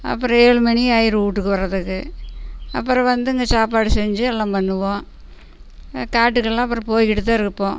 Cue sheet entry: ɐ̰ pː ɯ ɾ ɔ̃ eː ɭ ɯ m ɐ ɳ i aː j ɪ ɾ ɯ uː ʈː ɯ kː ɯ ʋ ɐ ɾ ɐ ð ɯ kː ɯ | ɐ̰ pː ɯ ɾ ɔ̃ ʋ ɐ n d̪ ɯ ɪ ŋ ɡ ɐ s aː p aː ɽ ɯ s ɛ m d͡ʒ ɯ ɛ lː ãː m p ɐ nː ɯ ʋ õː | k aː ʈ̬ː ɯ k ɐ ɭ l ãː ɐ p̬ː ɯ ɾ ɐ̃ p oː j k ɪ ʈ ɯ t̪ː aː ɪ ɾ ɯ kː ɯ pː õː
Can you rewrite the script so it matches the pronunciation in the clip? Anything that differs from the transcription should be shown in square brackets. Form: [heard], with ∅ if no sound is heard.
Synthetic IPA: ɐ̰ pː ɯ ɾ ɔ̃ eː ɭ ɯ m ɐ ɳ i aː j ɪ ɾ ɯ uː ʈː ɯ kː ɯ ʋ ɐ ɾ ɐ ð ɯ kː ɯ | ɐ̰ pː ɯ ɾ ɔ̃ ʋ ɐ n d̪ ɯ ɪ ŋ ɡ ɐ s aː p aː ɽ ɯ s ɛ [ɲ] d͡ʒ ɯ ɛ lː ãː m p ɐ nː ɯ ʋ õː | k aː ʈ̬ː ɯ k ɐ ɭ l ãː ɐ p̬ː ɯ ɾ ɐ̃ p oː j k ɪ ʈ ɯ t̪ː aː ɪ ɾ ɯ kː ɯ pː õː